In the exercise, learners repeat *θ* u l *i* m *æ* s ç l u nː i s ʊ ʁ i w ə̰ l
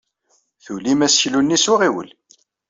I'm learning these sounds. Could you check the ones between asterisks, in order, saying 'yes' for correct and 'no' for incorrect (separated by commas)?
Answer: yes, yes, yes